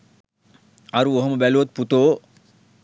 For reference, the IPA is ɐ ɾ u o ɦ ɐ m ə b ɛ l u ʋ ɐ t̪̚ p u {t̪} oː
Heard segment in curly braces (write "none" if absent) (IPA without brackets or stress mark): t̪